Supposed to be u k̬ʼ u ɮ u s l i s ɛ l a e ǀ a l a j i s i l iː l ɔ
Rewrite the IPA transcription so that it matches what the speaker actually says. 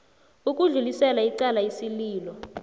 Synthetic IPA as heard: u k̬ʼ u ɮ u l i s ɛ l a i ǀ a l a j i s i l iː l ɔ